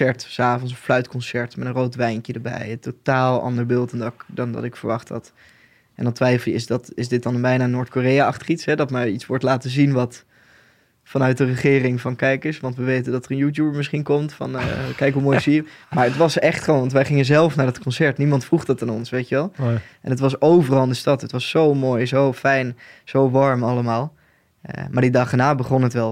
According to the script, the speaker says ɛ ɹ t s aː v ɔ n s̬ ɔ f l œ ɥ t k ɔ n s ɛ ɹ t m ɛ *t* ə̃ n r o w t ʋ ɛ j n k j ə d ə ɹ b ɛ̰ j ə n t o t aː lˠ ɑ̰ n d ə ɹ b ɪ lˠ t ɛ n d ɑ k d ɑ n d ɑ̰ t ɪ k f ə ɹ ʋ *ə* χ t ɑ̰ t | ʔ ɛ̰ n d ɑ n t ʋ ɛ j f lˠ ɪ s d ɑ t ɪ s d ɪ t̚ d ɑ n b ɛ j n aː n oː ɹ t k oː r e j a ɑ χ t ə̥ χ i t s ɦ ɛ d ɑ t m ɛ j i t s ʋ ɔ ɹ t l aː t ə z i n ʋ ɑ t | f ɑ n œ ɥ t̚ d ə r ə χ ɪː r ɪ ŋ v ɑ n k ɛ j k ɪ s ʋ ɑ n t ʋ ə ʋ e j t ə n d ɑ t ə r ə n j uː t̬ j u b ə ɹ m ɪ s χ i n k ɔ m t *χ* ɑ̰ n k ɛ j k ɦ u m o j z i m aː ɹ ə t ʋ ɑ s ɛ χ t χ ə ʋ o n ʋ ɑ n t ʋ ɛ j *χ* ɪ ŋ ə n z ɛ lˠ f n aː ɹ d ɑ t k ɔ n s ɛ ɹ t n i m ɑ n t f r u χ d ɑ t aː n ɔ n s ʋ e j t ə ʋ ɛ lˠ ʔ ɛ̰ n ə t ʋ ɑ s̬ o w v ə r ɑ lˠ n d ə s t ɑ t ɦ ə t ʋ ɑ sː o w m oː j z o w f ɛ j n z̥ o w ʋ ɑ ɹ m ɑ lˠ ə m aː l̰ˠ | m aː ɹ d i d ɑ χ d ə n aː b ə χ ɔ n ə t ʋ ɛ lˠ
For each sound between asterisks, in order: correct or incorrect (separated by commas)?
correct, incorrect, incorrect, correct